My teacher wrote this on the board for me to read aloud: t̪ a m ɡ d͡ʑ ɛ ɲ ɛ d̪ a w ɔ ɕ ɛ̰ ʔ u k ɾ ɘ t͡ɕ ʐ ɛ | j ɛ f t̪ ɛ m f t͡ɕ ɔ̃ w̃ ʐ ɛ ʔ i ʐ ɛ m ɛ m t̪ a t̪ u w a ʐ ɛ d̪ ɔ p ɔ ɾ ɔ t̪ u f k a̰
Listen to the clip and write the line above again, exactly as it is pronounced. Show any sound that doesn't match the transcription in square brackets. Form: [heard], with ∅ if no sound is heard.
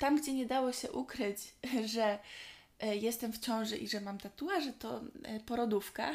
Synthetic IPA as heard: t̪ a m ɡ d͡ʑ ɛ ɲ ɛ d̪ a w ɔ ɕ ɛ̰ ʔ u k ɾ ɘ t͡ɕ ʐ ɛ | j ɛ [s] t̪ ɛ m f t͡ɕ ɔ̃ w̃ ʐ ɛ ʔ i ʐ ɛ m [a] m t̪ a t̪ u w a ʐ ɛ [t̪] ɔ p ɔ ɾ ɔ [d̪] u f k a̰